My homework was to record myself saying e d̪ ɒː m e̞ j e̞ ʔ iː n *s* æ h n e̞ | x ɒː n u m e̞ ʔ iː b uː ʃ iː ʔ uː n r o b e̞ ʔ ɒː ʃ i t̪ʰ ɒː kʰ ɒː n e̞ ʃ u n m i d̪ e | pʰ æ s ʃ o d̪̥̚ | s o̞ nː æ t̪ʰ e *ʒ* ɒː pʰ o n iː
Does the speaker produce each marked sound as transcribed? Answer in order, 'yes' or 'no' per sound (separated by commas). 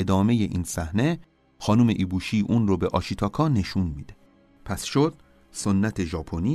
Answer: yes, yes